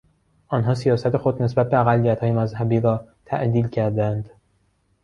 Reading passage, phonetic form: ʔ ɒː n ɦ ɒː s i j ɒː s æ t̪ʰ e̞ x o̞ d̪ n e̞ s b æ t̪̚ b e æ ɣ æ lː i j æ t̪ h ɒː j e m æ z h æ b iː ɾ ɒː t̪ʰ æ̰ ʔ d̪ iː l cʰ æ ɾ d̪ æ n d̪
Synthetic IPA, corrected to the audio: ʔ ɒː n ɦ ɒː s i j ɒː s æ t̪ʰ e̞ x o̞ d̪ n e̞ s b æ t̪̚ b e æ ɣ æ lː i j æ t̪ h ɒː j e m æ z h æ b iː ɾ ɒː t̪ʰ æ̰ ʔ d̪ iː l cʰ æ ɾ d̪ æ n d̪

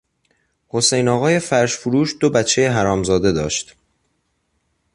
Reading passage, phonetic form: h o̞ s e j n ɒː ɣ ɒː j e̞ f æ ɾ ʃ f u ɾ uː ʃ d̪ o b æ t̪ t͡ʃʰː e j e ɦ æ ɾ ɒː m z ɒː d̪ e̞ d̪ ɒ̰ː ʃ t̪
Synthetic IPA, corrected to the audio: h o̞ s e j n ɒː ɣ ɒː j e̞ f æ ɾ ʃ f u ɾ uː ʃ d̪ o b æ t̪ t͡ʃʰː e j e ɦ æ ɾ ɒː m z ɒː d̪ e̞ d̪ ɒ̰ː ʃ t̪

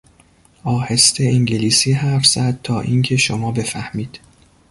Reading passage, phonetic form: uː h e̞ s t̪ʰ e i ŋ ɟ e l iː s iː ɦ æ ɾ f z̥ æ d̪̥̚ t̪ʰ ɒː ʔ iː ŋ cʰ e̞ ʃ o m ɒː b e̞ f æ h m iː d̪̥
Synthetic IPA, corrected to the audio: ɒː h e̞ s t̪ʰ e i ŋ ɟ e l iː s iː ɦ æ ɾ f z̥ æ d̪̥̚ t̪ʰ ɒː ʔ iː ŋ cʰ e̞ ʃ o m ɒː b e̞ f æ h m iː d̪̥

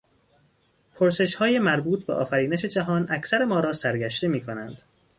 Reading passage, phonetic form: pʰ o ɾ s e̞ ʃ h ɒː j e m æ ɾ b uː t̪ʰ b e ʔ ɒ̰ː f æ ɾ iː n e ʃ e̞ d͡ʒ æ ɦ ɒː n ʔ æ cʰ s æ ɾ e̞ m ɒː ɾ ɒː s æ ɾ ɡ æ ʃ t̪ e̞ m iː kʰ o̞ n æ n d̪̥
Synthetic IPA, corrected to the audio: pʰ o ɾ s e̞ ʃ h ɒː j e m æ ɾ b uː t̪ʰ b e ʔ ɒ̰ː f æ ɾ iː n e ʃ e̞ d͡ʒ æ ɦ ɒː n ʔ æ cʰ s æ ɾ e̞ m ɒː ɾ ɒː s æ ɾ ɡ æ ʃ t̪ e̞ m iː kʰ o̞ n æ n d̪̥

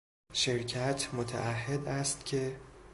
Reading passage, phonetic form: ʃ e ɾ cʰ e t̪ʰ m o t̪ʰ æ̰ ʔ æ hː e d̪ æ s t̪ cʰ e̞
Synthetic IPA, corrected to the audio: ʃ e ɾ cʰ æ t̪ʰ m o t̪ʰ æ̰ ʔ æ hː e d̪ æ s t̪ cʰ e̞

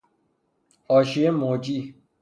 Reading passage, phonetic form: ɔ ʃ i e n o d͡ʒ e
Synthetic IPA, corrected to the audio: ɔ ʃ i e m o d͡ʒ i

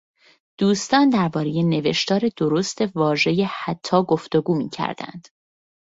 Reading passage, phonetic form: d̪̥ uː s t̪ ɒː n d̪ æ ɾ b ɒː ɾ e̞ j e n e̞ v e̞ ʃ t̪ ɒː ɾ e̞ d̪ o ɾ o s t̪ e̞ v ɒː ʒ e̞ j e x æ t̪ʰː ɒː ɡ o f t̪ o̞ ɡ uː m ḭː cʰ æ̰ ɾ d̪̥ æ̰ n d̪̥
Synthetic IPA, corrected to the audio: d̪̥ uː s t̪ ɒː n d̪ æ ɾ b ɒː ɾ e̞ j e n e̞ v e̞ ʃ t̪ ɒː ɾ e̞ d̪ o ɾ o s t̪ e̞ v ɒː ʒ e̞ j e h æ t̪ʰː ɒː ɡ o f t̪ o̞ ɡ uː m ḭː cʰ æ̰ ɾ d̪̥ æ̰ n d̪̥

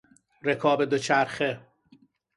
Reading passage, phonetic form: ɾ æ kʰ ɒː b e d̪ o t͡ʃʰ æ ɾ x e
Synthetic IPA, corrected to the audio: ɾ e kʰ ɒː b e d̪ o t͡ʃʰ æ ɾ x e

